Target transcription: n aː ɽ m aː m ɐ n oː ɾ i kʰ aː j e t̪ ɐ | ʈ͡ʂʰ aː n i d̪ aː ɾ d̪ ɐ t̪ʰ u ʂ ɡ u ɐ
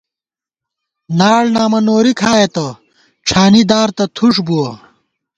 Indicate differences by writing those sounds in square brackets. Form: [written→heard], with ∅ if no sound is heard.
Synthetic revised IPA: n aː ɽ [m→n] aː m ɐ n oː ɾ i kʰ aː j e t̪ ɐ | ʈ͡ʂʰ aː n i d̪ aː ɾ [d̪→t̪] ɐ t̪ʰ u ʂ [ɡ→b] u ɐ